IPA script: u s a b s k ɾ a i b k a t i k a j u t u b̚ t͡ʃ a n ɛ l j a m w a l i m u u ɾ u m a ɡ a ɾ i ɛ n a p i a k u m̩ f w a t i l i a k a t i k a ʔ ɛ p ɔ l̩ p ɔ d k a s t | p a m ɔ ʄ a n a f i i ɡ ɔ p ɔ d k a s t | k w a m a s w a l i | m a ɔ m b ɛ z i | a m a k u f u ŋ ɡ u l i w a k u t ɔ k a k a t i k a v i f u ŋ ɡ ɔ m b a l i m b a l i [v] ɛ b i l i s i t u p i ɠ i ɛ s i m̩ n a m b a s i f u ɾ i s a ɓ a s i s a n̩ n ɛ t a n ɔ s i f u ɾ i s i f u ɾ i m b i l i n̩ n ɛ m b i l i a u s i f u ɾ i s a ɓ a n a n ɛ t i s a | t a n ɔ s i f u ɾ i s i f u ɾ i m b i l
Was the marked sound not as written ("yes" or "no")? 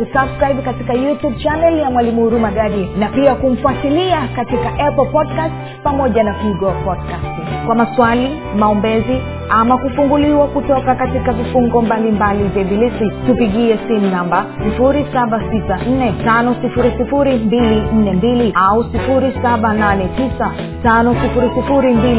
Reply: no